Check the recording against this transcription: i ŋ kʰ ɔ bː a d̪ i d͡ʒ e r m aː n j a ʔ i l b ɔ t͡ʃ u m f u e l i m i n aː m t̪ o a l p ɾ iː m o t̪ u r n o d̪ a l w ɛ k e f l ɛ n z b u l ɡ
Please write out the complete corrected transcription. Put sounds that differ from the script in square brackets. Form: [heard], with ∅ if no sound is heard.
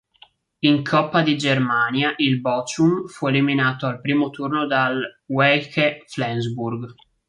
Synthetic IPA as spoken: i ŋ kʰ ɔ [pː] a d̪ i d͡ʒ e r m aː n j a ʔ i l b ɔ t͡ʃ u m f u e l i m i n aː [∅] t̪ o a l p ɾ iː m o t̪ u r n o d̪ a l w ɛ k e f l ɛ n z b u [r] ɡ